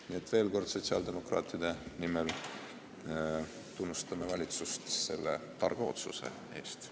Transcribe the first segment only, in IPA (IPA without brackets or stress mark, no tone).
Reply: n